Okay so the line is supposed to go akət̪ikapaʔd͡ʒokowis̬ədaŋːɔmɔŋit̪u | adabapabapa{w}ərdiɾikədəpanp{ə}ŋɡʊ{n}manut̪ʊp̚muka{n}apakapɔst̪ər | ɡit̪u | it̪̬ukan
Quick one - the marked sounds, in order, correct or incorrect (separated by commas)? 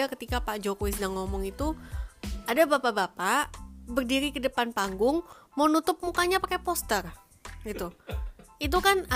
incorrect, incorrect, incorrect, incorrect